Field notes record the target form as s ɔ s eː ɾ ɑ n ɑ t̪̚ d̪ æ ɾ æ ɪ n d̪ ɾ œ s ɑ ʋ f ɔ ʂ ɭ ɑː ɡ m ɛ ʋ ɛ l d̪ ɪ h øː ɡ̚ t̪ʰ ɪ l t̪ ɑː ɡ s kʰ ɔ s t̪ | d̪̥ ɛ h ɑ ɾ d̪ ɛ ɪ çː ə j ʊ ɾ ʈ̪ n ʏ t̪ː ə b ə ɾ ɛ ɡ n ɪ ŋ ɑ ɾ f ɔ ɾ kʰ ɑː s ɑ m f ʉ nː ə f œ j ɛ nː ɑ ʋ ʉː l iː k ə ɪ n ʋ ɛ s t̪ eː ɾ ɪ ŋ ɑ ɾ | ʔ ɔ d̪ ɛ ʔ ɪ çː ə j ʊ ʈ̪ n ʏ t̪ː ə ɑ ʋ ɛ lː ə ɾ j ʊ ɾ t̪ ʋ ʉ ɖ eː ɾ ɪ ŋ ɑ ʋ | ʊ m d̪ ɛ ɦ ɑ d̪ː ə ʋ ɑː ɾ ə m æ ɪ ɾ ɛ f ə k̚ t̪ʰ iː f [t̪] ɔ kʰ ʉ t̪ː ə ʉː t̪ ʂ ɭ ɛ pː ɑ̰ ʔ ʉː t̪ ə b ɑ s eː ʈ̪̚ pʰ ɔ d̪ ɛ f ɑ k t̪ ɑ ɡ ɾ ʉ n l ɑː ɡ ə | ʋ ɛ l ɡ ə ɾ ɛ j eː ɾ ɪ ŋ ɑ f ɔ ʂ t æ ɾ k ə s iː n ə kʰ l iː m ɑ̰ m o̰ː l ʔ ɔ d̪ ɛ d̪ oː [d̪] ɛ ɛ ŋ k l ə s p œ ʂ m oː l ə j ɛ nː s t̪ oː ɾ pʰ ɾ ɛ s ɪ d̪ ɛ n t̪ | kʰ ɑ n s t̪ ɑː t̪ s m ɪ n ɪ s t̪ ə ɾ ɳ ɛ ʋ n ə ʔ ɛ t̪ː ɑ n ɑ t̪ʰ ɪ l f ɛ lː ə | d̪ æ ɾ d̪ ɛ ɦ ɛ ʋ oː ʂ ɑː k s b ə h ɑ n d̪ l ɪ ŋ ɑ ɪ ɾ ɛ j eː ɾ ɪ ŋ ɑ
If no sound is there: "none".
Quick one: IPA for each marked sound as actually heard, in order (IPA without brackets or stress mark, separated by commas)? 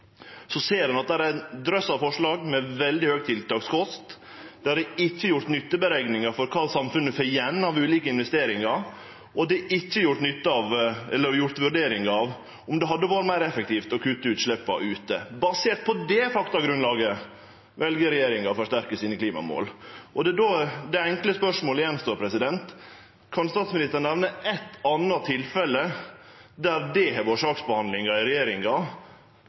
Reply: t̪, d̪